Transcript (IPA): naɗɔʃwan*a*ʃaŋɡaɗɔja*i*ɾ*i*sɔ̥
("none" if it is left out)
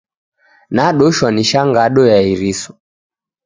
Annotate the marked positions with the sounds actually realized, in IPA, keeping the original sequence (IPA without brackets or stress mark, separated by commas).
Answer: i, i, i